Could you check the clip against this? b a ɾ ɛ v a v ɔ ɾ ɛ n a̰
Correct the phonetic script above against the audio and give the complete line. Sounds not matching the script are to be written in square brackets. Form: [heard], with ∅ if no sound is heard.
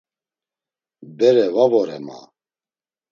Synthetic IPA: b [ɛ] ɾ ɛ v a v ɔ ɾ ɛ [m] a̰